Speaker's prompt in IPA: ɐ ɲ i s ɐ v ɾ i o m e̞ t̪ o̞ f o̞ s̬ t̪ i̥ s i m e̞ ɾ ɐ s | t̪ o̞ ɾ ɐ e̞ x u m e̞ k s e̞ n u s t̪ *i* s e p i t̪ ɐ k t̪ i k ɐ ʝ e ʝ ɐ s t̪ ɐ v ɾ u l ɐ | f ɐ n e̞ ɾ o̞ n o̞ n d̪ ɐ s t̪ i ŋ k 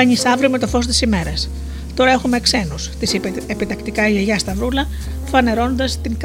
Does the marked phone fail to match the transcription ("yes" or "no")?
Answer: no